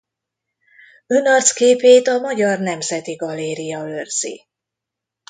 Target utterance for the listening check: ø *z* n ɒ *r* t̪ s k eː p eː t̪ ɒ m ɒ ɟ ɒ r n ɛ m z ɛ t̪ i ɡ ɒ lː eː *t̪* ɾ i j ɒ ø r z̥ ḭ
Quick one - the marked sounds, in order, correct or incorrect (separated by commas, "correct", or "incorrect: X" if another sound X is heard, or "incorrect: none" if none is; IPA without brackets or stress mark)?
incorrect: none, correct, incorrect: none